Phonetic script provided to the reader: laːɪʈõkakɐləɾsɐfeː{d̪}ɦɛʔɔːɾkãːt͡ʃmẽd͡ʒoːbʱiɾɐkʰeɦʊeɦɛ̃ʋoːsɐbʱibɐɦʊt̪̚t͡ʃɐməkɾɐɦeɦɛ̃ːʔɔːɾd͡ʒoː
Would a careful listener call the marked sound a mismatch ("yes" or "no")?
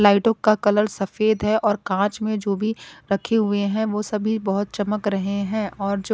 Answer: no